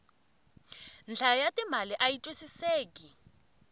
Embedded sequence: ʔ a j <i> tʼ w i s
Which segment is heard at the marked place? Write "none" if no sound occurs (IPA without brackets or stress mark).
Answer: i